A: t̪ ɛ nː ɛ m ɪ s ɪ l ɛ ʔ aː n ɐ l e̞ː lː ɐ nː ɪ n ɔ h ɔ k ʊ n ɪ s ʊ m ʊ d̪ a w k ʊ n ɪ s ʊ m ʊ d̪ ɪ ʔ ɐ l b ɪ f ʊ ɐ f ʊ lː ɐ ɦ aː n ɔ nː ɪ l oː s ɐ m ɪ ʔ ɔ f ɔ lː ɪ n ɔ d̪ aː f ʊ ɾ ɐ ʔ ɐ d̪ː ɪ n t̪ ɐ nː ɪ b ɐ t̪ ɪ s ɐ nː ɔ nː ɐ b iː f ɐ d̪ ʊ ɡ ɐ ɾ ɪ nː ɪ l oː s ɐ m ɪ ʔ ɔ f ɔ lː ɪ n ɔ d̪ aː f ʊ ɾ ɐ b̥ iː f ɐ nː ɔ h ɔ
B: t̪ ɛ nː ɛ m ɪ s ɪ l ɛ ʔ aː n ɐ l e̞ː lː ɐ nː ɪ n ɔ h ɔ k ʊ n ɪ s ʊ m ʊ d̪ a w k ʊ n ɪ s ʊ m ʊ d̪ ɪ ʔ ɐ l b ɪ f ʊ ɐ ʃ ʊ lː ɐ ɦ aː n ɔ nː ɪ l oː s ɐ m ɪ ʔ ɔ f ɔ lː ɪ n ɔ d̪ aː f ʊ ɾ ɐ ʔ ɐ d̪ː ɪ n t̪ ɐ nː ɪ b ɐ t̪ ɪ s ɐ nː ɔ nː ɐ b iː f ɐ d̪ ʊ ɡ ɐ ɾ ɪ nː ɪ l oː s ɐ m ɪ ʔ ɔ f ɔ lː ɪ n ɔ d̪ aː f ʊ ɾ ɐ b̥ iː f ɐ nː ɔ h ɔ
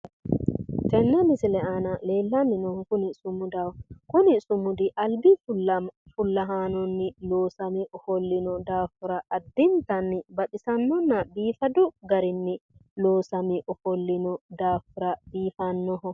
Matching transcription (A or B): A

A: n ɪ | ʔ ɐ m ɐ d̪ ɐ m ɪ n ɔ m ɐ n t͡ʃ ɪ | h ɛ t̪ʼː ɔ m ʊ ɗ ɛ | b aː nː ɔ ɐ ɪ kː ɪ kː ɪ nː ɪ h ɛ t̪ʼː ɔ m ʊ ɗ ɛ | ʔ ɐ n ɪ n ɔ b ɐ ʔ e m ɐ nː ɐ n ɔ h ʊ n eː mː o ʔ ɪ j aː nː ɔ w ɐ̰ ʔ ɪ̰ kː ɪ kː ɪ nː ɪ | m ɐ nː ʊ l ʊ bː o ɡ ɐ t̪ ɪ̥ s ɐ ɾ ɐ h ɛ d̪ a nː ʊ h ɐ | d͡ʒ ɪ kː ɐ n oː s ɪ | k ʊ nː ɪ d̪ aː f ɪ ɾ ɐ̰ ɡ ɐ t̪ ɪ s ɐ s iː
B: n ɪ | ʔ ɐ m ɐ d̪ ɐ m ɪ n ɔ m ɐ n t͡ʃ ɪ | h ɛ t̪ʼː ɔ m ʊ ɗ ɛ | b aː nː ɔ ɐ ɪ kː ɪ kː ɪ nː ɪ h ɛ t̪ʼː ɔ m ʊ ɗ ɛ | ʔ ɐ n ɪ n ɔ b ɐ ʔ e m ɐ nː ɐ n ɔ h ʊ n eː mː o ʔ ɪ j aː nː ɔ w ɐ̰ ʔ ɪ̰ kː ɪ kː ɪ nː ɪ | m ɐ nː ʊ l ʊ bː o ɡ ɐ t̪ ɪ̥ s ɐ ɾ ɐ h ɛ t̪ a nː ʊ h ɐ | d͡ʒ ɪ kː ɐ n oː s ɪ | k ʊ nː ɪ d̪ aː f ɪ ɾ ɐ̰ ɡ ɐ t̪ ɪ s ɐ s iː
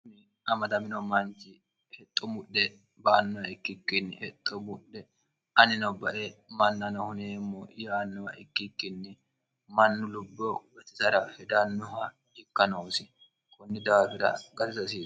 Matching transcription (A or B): A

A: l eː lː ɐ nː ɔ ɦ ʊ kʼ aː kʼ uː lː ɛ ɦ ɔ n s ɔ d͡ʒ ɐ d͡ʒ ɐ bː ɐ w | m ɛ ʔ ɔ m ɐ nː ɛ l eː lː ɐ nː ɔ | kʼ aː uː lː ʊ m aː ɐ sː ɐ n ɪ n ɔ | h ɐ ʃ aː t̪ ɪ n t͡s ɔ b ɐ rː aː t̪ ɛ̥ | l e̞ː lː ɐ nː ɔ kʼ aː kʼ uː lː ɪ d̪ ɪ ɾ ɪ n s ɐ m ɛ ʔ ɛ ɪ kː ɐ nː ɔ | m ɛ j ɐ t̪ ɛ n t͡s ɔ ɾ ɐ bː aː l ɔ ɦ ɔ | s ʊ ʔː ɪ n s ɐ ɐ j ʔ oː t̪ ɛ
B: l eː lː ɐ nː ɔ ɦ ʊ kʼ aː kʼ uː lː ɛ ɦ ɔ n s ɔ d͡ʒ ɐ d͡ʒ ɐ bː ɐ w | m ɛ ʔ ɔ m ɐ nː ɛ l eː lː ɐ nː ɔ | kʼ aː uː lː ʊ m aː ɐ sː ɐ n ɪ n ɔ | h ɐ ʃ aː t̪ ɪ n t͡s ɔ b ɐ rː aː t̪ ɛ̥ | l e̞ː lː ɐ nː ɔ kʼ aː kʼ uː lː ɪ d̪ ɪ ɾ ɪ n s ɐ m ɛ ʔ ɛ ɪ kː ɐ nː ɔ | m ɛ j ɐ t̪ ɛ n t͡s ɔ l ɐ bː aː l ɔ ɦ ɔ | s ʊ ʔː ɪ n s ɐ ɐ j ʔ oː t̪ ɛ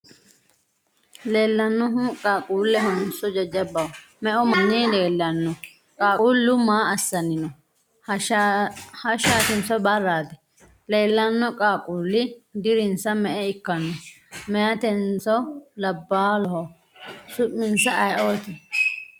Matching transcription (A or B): B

